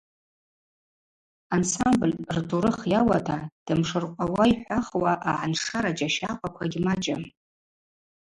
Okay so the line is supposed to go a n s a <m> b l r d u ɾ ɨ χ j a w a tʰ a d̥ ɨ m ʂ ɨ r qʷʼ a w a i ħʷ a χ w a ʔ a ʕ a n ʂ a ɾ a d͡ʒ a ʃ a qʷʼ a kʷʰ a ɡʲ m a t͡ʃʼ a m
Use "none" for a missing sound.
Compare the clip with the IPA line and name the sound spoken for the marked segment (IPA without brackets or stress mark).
m